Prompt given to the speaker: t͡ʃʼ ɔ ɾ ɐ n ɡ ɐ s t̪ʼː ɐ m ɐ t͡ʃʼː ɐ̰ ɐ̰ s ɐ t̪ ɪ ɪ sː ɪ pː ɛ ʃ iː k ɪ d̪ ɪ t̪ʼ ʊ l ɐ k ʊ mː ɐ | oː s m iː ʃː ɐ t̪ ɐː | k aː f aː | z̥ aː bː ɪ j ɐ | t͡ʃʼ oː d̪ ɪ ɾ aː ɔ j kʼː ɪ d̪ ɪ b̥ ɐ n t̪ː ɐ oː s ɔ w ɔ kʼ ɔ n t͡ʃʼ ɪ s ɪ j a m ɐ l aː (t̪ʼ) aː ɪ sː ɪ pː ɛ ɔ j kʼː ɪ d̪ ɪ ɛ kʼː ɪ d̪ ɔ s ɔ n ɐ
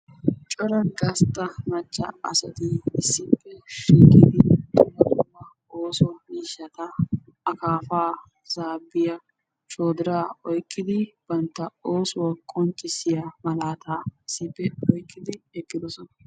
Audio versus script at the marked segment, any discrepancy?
yes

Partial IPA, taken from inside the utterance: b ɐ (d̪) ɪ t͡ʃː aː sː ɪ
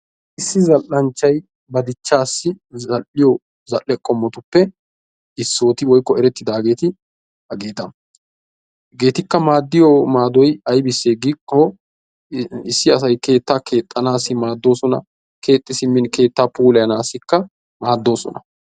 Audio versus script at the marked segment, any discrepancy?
no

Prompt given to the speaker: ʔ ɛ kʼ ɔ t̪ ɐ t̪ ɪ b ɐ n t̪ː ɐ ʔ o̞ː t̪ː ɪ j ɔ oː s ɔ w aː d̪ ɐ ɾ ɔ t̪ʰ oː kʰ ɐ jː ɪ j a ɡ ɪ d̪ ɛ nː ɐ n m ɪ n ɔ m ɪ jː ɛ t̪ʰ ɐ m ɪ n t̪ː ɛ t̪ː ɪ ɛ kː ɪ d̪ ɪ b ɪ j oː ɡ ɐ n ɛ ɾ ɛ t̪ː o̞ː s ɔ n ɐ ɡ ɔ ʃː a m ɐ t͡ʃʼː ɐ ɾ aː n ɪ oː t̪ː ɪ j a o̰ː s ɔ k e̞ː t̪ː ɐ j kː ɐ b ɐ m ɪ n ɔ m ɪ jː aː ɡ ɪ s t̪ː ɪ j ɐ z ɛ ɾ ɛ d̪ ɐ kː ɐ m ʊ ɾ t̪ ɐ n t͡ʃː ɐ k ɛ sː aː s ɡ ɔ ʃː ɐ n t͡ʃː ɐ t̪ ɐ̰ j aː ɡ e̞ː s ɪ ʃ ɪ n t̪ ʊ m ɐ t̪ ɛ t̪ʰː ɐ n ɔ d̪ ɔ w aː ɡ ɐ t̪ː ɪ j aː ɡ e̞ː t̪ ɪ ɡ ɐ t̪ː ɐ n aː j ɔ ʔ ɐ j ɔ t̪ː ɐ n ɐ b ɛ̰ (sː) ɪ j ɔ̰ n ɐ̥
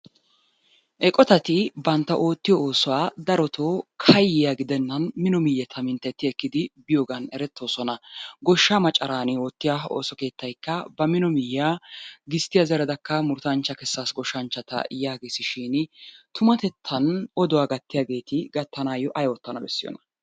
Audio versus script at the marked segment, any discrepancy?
no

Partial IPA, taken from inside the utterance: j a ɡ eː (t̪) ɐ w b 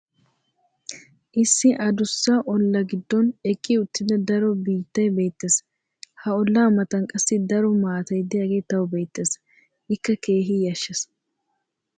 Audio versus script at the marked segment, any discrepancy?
no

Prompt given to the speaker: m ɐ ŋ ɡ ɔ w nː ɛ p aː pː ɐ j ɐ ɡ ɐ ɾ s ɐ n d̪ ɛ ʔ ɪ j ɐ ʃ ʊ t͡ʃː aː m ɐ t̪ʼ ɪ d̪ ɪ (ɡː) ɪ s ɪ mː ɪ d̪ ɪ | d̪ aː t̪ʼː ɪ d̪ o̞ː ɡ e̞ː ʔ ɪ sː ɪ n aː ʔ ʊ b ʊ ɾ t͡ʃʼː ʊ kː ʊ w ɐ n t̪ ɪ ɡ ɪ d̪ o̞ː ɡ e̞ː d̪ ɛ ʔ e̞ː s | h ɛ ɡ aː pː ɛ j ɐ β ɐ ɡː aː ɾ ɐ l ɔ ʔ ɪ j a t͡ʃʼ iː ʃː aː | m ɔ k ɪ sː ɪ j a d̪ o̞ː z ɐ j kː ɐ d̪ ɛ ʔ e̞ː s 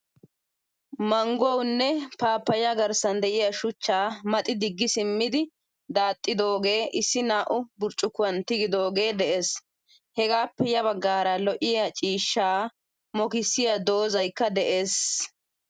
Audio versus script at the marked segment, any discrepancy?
no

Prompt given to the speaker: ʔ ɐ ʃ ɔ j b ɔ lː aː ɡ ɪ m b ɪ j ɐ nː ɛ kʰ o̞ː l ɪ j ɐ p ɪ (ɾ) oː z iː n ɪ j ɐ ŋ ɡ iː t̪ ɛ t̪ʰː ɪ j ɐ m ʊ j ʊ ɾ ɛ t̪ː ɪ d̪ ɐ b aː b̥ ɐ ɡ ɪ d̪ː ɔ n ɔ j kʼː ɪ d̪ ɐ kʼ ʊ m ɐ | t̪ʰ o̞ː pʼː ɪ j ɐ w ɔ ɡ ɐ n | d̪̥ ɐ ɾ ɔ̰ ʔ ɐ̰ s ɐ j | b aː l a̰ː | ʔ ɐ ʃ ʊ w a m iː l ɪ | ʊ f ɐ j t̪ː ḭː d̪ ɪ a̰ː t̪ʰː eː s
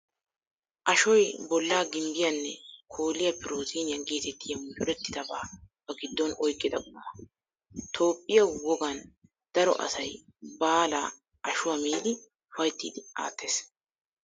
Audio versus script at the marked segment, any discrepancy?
no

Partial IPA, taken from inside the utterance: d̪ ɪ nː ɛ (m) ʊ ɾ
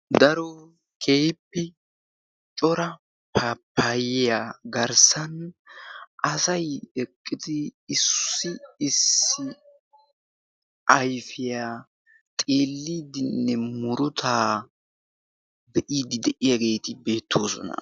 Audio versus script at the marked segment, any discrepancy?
no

